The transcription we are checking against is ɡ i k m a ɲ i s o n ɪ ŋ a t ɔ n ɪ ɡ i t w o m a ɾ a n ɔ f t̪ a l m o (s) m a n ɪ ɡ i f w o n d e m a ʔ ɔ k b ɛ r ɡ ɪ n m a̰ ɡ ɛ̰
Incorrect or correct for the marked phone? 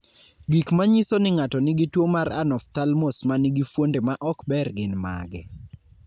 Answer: correct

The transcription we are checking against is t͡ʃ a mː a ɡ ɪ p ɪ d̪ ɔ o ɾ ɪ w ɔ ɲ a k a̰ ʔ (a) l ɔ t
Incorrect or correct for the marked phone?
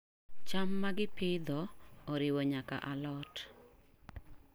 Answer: correct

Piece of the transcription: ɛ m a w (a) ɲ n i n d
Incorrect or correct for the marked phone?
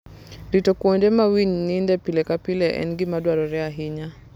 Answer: incorrect: i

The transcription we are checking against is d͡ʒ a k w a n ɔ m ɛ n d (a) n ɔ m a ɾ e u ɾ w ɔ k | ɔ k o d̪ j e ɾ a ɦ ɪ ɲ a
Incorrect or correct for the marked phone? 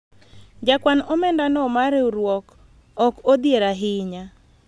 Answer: correct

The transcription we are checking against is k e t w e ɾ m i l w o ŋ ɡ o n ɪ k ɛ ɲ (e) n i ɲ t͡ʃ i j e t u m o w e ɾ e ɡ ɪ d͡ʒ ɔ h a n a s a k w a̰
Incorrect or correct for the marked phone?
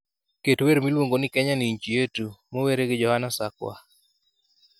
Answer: incorrect: a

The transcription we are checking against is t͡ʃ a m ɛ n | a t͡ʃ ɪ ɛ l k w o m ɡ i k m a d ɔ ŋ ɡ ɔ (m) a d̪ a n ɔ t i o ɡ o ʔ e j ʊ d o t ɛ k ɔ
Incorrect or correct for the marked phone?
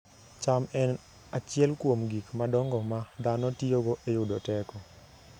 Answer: correct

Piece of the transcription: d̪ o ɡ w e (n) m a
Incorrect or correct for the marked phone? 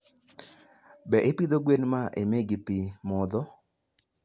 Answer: correct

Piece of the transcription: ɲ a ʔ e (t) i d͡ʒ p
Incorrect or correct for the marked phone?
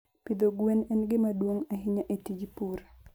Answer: correct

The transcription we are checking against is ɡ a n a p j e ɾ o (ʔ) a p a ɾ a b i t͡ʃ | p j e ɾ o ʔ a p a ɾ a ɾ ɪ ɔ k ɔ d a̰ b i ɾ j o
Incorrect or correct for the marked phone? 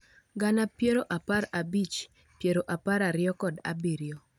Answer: correct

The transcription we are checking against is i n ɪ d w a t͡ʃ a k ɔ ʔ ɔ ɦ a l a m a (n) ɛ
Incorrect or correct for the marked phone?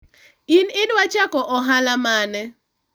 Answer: correct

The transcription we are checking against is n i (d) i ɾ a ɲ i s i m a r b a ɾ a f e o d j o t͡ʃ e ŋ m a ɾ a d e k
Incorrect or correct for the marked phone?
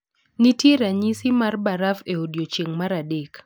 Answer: incorrect: t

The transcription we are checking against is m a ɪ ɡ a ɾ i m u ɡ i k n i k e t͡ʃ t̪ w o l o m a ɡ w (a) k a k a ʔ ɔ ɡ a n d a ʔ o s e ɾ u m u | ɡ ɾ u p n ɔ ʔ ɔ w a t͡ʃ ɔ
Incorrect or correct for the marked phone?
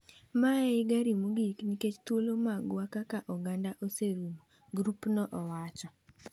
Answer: correct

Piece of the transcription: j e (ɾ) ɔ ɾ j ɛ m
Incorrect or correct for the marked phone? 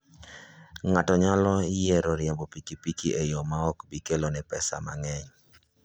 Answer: correct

